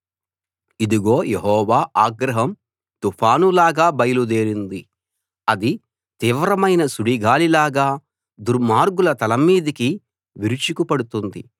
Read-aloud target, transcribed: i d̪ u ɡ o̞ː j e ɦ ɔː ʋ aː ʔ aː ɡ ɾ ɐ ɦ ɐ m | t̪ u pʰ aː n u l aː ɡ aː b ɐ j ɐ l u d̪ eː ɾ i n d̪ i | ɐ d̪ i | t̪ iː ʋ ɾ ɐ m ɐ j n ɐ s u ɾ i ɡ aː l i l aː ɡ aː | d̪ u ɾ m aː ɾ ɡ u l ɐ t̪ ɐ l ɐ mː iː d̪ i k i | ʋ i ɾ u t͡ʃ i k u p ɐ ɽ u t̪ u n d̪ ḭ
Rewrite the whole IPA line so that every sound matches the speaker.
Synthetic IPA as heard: i d̪ u ɡ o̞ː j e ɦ ɔː ʋ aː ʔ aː ɡ ɾ ɐ ɦ ɐ m | t̪ u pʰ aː n u l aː ɡ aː b ɐ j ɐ l u d̪ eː ɾ i n d̪ i | ɐ d̪ i | t̪ iː ʋ ɾ ɐ m ɐ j n ɐ s u ɽ i ɡ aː l i l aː ɡ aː | d̪ u ɾ m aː ɾ ɡ u l ɐ t̪ ɐ l ɐ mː iː d̪ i k i | ʋ i ɾ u t͡ʃ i k u p ɐ ɽ u t̪ u n d̪ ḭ